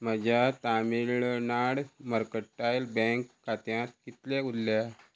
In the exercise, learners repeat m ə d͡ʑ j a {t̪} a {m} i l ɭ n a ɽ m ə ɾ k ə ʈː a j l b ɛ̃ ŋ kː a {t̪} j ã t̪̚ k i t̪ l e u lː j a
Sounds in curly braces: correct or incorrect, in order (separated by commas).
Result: correct, correct, correct